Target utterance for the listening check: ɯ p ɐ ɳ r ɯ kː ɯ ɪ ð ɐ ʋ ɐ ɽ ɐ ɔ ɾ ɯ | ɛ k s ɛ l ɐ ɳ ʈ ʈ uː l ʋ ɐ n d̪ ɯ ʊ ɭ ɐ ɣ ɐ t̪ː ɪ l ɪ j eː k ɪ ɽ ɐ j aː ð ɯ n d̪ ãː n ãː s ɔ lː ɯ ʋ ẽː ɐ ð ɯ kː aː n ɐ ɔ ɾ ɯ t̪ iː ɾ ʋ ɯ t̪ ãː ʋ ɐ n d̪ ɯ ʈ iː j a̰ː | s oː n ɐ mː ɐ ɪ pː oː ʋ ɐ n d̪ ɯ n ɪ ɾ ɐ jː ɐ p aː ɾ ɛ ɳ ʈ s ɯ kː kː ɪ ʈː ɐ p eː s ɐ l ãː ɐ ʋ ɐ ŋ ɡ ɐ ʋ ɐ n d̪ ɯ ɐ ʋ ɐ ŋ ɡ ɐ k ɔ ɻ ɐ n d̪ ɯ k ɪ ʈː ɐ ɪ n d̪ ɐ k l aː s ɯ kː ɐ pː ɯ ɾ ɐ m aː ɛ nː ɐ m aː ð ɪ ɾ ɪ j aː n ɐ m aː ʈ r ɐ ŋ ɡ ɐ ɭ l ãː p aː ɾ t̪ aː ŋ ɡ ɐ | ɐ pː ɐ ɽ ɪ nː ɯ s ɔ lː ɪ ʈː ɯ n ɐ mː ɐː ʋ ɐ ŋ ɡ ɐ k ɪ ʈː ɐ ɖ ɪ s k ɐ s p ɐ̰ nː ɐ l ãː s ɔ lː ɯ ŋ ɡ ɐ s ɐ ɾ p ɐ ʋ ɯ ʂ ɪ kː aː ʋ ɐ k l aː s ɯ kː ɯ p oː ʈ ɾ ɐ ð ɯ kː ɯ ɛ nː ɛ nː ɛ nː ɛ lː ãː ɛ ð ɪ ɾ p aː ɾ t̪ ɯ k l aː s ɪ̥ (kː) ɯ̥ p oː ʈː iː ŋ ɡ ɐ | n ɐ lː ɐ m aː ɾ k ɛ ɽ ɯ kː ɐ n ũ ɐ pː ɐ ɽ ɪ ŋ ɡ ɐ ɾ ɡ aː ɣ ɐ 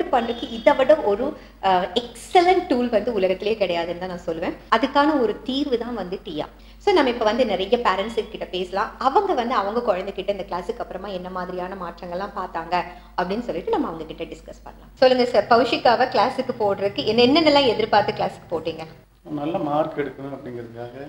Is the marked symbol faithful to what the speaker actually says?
yes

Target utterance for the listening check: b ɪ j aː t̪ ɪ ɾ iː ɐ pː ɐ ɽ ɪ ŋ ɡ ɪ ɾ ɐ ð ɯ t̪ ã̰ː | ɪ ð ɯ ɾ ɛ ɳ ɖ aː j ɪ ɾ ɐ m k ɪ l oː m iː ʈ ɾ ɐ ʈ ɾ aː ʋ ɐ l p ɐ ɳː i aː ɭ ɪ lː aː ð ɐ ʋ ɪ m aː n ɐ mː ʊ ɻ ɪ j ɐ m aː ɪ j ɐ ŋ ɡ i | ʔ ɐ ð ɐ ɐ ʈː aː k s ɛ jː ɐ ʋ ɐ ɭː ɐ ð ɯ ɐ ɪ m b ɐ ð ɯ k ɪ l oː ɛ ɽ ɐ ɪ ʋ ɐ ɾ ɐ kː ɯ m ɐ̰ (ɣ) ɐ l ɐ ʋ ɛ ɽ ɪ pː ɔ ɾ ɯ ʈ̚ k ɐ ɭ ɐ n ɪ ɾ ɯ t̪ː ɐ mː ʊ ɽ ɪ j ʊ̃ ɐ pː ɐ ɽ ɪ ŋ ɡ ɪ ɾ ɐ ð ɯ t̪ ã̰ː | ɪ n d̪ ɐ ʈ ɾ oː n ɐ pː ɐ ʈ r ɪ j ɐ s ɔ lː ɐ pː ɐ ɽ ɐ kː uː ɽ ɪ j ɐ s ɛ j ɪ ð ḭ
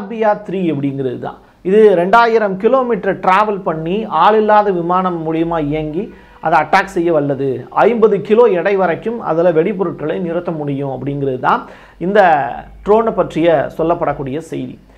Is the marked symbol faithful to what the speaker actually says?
no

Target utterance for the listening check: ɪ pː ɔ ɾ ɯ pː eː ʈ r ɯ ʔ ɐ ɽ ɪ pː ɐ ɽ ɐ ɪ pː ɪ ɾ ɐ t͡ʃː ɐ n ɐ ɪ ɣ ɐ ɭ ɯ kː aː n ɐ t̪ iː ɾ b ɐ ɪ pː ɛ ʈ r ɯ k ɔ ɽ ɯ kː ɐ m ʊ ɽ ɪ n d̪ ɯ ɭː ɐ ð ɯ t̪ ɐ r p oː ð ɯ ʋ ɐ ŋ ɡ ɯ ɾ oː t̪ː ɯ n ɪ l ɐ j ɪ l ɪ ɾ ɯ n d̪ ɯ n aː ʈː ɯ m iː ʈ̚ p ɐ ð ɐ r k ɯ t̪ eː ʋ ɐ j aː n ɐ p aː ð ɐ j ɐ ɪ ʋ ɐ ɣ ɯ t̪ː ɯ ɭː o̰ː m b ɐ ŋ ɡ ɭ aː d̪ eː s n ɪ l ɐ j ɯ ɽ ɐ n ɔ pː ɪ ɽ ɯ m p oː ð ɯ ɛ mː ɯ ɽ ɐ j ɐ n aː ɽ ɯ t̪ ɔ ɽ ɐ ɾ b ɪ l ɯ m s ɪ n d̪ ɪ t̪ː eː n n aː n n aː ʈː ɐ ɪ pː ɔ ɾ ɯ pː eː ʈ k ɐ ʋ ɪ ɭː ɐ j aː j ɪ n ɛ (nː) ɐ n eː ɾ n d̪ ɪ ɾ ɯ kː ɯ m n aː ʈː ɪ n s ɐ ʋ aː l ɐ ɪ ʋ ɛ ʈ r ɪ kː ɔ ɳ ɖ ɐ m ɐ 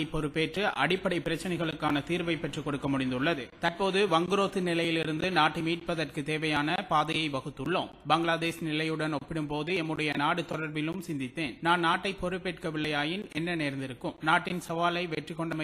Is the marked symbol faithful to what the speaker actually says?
yes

